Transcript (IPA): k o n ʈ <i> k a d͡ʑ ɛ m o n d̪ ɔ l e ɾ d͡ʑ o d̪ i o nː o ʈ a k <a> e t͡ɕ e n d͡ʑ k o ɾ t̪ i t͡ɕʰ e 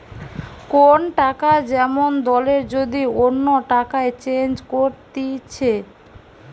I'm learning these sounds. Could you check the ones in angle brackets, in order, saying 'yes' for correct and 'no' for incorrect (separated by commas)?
no, yes